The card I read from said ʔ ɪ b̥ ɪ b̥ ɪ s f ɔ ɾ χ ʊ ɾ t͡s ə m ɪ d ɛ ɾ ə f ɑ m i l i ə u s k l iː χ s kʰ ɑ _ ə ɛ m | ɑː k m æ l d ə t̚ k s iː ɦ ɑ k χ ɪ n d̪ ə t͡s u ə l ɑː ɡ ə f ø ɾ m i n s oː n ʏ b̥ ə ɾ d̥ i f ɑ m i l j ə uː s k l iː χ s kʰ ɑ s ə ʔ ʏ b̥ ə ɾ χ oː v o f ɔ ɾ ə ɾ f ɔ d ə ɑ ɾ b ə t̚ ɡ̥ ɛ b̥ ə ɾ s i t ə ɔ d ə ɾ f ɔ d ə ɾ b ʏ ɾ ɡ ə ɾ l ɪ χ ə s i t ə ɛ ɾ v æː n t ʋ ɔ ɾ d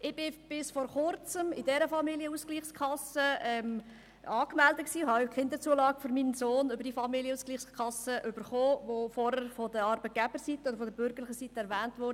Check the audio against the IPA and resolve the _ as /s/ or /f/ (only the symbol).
s